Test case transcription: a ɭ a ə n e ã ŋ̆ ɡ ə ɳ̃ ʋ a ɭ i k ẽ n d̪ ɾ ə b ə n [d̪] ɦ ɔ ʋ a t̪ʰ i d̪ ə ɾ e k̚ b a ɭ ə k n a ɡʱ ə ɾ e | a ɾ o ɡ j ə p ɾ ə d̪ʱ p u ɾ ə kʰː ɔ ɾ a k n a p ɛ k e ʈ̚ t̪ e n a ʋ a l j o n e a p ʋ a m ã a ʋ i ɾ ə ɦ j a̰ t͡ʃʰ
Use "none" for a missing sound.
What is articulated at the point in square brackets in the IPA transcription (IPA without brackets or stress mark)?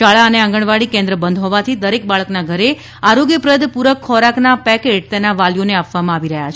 d̪